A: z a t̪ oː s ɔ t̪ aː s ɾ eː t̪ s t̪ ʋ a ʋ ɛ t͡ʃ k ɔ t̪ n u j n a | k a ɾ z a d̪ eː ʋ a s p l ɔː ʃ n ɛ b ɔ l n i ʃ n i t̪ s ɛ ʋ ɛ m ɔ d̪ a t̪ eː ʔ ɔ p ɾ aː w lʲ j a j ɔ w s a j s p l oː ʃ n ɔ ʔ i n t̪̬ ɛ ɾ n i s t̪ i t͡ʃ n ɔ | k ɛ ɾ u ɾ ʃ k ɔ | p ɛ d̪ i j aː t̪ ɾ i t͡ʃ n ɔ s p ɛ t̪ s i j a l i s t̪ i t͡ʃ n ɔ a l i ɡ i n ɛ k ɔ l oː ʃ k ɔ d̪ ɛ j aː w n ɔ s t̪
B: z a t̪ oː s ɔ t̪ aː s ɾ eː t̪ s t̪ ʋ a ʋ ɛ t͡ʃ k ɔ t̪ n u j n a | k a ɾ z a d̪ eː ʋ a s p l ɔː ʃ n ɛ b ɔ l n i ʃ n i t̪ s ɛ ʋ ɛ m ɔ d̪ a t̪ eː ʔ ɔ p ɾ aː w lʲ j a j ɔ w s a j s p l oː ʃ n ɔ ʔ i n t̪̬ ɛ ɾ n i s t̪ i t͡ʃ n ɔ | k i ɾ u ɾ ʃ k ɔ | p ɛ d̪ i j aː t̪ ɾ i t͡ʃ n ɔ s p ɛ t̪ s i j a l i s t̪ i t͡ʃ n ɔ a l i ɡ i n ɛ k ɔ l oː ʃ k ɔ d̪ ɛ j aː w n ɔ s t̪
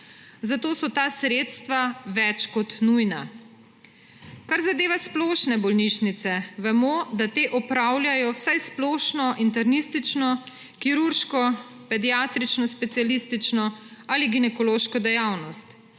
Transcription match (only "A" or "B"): B